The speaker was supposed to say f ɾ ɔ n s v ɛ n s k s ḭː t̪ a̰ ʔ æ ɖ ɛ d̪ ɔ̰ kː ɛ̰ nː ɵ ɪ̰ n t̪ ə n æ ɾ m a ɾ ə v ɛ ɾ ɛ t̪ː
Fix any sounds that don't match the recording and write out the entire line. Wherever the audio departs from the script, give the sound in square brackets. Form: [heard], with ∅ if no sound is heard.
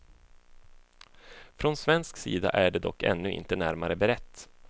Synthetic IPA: f ɾ ɔ n s v ɛ n s k s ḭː [d̪] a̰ ʔ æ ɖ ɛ d̪ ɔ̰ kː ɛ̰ nː ɵ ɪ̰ n t̪ ə n æ ɾ m a ɾ ə [b] ɛ ɾ ɛ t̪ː